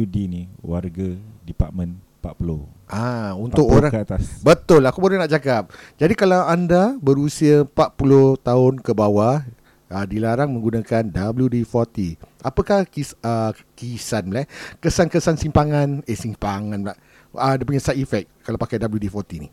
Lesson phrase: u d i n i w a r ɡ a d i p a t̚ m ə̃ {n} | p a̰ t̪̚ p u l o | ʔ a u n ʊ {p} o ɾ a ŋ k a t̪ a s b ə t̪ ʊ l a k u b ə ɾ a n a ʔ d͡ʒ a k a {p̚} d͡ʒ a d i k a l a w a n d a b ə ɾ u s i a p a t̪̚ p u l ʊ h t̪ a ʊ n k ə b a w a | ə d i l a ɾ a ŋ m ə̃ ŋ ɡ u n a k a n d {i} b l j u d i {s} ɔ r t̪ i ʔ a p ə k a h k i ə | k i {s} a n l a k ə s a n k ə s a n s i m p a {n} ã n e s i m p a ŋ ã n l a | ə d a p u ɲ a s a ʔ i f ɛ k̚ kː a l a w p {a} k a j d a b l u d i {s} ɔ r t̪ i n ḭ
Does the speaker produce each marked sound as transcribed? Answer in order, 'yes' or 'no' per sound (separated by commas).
yes, no, yes, no, no, yes, no, yes, no